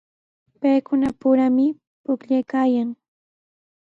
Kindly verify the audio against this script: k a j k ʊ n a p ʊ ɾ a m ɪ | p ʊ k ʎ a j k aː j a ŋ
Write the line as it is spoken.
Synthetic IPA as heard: p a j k ʊ n a p ʊ ɾ a m ɪ | p ʊ k ʎ a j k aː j a ŋ